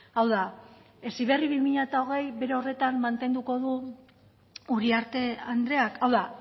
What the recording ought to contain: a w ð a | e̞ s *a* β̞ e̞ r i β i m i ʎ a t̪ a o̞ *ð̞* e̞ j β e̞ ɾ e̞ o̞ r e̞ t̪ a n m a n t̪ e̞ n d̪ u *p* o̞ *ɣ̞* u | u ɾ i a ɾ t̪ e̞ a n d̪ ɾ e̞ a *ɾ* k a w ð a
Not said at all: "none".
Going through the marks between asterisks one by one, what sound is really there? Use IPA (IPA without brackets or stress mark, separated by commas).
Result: i, ɣ̞, k, ð̞, none